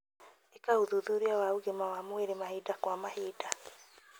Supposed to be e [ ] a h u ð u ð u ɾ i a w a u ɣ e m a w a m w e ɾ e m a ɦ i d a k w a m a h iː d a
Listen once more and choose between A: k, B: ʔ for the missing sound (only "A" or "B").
A